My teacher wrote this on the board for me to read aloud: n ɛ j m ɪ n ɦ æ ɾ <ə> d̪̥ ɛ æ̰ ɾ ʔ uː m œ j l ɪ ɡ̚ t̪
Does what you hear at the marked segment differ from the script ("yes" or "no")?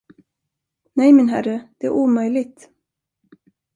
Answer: no